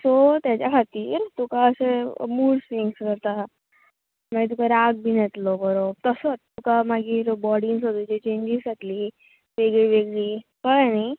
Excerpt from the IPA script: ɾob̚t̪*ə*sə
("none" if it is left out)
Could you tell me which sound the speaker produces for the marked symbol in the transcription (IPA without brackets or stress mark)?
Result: ə